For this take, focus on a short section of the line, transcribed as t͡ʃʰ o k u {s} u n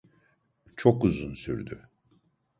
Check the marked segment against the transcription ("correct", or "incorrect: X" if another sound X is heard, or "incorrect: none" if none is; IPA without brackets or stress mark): incorrect: z